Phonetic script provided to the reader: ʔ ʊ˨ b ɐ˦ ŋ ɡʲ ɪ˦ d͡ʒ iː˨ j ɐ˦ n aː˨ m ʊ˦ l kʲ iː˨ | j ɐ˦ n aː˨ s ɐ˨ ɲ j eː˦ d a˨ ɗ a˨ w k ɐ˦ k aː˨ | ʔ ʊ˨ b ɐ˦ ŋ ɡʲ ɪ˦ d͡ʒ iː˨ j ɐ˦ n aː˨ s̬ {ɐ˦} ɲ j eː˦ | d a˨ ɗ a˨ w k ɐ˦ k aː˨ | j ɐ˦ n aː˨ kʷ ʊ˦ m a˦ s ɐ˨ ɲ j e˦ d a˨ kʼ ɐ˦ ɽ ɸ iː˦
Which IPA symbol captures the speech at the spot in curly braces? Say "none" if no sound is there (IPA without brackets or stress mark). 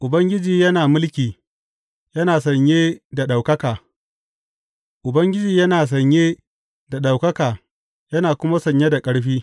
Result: ɐ˨